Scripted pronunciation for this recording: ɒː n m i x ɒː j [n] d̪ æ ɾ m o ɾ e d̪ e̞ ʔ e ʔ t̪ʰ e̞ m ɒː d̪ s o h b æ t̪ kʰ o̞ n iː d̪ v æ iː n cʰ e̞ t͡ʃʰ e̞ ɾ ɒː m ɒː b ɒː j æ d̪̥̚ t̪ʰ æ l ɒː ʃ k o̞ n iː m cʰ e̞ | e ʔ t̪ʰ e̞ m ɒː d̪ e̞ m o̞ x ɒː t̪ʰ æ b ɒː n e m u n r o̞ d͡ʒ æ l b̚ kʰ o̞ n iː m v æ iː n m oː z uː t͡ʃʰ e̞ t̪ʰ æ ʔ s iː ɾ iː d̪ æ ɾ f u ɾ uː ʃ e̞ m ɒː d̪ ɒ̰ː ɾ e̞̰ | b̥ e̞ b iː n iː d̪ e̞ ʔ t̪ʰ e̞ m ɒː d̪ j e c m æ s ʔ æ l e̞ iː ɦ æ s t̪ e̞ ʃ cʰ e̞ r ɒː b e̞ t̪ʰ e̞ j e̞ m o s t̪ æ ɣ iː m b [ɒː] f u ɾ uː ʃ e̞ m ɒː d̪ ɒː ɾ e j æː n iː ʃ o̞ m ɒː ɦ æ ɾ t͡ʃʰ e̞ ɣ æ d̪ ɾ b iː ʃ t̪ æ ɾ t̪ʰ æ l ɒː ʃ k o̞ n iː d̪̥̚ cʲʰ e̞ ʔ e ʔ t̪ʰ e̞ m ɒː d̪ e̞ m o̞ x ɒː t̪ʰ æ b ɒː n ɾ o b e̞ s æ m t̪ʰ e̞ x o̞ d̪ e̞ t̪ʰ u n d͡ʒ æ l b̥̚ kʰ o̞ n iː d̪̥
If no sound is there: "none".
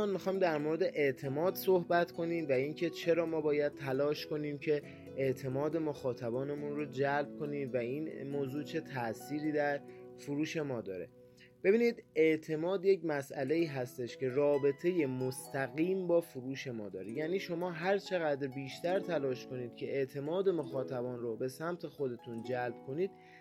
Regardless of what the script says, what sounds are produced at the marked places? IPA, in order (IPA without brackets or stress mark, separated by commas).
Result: m, ɒː